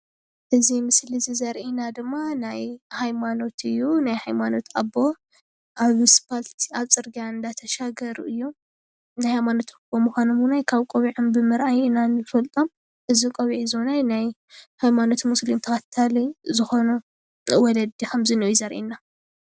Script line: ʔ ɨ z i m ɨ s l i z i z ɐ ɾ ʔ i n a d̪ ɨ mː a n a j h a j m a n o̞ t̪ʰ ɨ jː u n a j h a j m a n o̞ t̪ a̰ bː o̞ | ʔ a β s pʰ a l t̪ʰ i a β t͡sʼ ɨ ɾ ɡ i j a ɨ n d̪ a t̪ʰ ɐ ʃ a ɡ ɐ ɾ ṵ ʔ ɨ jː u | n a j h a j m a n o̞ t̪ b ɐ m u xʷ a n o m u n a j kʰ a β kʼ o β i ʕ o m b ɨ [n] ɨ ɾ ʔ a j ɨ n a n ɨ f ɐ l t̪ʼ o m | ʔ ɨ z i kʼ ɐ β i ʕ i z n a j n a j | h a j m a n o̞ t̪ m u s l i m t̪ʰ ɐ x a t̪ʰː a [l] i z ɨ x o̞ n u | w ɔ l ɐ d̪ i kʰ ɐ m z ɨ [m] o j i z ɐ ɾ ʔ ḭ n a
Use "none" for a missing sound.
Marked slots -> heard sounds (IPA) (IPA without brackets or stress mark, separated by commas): m, l, n